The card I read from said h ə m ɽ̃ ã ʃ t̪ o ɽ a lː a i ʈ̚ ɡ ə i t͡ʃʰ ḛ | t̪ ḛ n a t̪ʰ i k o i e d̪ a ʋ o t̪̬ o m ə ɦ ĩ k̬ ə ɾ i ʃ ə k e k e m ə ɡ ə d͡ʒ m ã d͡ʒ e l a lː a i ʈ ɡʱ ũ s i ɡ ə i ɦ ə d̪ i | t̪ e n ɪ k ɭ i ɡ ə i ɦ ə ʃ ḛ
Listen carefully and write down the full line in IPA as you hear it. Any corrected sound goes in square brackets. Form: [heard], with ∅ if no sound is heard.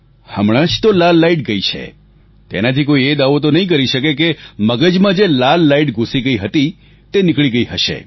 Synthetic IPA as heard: h ə m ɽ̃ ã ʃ t̪ o [l] a lː a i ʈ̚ ɡ ə i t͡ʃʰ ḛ | t̪ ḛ n a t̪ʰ i k o i e d̪ a ʋ o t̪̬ o [n] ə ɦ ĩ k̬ ə ɾ i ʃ ə k e k e m ə ɡ ə d͡ʒ m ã d͡ʒ e l a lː a i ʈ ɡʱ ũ s i ɡ ə i ɦ ə [t̪] i | t̪ e n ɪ k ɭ i ɡ ə i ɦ ə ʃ ḛ

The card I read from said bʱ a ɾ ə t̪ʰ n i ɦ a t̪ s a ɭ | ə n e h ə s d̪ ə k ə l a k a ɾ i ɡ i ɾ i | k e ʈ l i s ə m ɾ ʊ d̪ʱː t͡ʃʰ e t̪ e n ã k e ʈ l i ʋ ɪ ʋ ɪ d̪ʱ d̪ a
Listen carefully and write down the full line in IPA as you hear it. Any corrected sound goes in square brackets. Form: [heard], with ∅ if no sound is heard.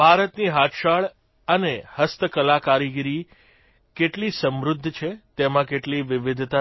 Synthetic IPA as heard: bʱ a ɾ ə [t̪] n i ɦ a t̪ [ʃ] a ɭ | ə n e h ə s [t̪] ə k ə l a k a ɾ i ɡ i ɾ i | k e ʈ l i s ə m ɾ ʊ d̪ʱː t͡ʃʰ e t̪ e [m] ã k e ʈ l i ʋ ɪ ʋ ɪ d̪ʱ [t̪] a

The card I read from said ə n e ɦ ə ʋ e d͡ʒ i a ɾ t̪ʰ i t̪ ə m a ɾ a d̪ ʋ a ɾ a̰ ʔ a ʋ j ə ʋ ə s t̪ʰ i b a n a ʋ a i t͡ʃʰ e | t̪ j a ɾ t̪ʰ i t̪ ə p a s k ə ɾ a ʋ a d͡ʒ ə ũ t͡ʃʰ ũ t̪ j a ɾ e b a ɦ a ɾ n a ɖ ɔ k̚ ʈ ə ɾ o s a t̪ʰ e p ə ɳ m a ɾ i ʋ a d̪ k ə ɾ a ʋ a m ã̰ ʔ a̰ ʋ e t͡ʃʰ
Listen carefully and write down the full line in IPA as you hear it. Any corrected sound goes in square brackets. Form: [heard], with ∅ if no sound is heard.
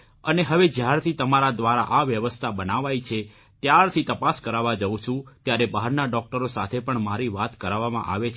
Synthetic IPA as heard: ə n e ɦ ə ʋ e d͡ʒ [j] a ɾ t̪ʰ i t̪ ə m a ɾ a d̪ ʋ a ɾ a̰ ʔ a ʋ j ə ʋ ə s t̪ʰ [a] b [ə] n a ʋ a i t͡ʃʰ e | t̪ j a ɾ t̪ʰ i t̪ ə p a s k ə ɾ a ʋ a d͡ʒ ə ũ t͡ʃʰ ũ t̪ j a ɾ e b a ɦ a ɾ n a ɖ ɔ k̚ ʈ ə ɾ o s a t̪ʰ e p ə ɳ m a ɾ i ʋ a [t̪] k ə ɾ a ʋ a m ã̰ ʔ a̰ ʋ e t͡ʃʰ

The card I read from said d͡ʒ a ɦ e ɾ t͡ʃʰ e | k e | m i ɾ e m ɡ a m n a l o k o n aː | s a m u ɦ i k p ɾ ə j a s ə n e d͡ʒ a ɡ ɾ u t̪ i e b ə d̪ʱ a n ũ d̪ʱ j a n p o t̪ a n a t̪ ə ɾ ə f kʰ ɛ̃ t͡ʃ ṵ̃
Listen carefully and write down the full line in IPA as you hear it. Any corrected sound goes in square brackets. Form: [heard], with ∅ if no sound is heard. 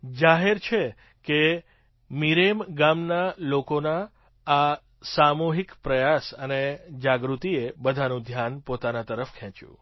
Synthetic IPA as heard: d͡ʒ a ɦ e ɾ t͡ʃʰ e | k e | m i ɾ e m ɡ a m n a l o k o n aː | s a m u ɦ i k p ɾ ə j a s ə n e d͡ʒ a ɡ ɾ u t̪ i e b ə d̪ʱ a n ũ d̪ʱ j a n p o t̪ a n a t̪ ə ɾ ə f kʰ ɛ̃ t͡ʃ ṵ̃

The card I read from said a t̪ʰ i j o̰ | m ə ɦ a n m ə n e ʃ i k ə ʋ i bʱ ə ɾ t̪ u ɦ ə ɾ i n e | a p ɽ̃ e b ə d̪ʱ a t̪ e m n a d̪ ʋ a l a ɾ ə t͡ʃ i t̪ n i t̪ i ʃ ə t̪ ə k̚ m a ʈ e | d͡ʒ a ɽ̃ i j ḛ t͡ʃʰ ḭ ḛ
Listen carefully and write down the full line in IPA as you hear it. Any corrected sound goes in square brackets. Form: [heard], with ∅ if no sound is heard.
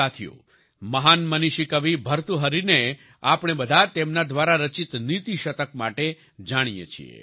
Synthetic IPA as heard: a t̪ʰ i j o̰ | m ə ɦ a n m ə n [i] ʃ i k ə ʋ i bʱ ə ɾ t̪ u ɦ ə ɾ i n e | a p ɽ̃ e b ə d̪ʱ a t̪ e m n a d̪ ʋ a [ɾ] a ɾ ə t͡ʃ i t̪ n i t̪ i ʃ ə t̪ ə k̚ m a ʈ e | d͡ʒ a ɽ̃ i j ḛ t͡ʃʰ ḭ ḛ

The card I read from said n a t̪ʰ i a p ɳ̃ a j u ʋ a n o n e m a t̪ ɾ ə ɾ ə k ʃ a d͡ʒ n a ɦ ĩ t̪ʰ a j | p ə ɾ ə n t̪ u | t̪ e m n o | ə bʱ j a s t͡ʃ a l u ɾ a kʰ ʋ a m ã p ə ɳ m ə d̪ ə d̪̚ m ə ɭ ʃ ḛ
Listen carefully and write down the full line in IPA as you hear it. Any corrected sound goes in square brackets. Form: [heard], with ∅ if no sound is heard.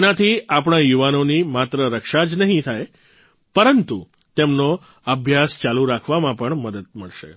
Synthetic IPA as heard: n a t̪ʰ i a p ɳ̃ a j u ʋ a n o n [i] m a t̪ ɾ ə ɾ ə k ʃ a d͡ʒ n [ə] ɦ ĩ t̪ʰ a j | p ə ɾ ə n t̪ u | t̪ e m n o | ə bʱ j a s t͡ʃ a l u ɾ a kʰ ʋ a m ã p ə ɳ m ə d̪ ə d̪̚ m ə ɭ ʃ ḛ

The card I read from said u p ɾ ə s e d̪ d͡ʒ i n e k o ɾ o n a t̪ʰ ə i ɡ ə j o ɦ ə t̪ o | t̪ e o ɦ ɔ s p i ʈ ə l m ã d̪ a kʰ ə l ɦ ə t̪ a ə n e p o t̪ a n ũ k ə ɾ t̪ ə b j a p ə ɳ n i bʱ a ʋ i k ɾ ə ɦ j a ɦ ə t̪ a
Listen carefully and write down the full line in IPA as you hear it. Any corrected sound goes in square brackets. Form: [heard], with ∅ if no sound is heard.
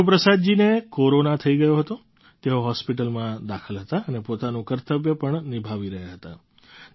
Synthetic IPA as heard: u p ɾ ə s [a] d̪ d͡ʒ i n e k o ɾ o n a t̪ʰ ə i ɡ ə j o ɦ ə t̪ o | t̪ e o ɦ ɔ s p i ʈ ə l m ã d̪ a kʰ ə l ɦ ə t̪ a ə n e p o t̪ a n ũ k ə ɾ t̪ ə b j [ə] p ə ɳ n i bʱ a ʋ i [∅] ɾ ə ɦ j a ɦ ə t̪ a

